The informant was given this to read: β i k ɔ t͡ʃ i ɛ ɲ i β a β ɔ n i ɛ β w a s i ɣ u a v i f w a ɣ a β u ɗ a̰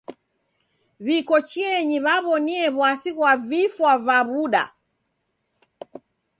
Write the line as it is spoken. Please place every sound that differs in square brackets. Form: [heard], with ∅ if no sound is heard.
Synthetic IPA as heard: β i k ɔ t͡ʃ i ɛ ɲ i β a β ɔ n i ɛ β w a s i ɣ [w] a v i f w a [v] a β u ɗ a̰